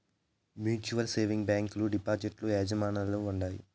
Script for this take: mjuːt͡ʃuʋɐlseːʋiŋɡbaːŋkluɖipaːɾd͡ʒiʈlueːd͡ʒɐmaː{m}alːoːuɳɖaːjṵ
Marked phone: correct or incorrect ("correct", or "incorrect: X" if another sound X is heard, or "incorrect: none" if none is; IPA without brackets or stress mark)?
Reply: incorrect: n